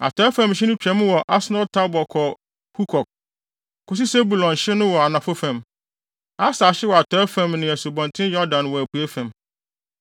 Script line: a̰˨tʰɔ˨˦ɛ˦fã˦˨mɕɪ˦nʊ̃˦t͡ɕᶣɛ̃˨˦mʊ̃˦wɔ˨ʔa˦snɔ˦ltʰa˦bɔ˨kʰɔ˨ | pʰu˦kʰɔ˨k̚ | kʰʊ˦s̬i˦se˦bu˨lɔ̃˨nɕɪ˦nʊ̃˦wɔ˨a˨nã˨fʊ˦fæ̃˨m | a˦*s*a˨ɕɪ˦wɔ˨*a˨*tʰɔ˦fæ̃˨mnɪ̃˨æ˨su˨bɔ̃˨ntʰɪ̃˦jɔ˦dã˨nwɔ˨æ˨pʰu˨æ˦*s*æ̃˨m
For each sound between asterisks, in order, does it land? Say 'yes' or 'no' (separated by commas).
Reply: yes, yes, no